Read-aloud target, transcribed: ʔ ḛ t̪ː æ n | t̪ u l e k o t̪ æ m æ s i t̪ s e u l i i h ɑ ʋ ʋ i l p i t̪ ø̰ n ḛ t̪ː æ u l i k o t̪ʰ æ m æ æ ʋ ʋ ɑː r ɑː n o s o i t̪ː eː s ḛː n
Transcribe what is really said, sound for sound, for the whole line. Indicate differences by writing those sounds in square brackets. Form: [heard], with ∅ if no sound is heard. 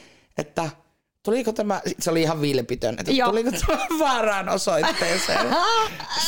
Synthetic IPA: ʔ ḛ t̪ː æ [∅] | t̪ u l [i] k o t̪ æ m æ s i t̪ s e [o] l i i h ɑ ʋ ʋ i l p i t̪ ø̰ n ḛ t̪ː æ u l i k o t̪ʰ æ m æ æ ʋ ʋ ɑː r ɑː n o s o i t̪ː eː s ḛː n